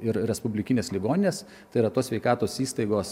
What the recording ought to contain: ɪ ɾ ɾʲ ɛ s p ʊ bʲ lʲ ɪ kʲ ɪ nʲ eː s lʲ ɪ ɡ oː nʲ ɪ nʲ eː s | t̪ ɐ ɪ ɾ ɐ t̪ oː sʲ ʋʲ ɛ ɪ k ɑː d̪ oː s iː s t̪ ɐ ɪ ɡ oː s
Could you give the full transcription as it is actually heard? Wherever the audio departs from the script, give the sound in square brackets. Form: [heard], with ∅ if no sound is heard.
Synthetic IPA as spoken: ɪ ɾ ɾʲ ɛ s p ʊ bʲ lʲ ɪ kʲ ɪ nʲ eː s lʲ ɪ ɡ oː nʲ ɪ nʲ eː s | t̪ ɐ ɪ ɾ ɐ t̪ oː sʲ ʋʲ ɛ ɪ k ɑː [t̪] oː s iː s t̪ ɐ ɪ ɡ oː s